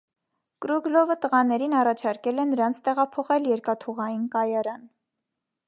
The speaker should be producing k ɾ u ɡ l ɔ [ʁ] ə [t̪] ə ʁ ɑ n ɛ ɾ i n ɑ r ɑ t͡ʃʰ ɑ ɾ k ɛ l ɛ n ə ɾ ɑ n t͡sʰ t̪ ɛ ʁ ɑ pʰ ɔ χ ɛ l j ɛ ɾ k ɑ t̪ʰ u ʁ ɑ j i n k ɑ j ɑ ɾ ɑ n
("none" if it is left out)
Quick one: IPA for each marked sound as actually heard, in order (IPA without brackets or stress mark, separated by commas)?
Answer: v, t̪